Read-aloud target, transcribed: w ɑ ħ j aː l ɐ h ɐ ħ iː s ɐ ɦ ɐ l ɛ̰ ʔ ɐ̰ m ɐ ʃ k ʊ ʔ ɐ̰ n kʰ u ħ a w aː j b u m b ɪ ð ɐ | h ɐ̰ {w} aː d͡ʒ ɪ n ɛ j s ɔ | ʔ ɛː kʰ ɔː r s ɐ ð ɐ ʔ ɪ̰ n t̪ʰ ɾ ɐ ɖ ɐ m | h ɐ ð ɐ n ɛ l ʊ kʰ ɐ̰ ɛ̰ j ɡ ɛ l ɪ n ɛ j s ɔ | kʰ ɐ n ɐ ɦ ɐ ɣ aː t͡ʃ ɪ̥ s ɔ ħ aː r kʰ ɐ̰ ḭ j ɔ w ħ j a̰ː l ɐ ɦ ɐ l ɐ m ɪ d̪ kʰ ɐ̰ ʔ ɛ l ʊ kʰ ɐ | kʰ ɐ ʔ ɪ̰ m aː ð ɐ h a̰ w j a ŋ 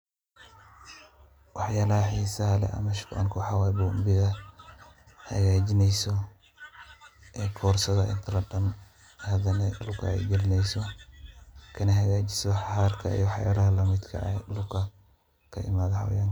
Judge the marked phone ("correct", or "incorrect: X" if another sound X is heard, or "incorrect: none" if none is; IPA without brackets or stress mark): incorrect: ɣ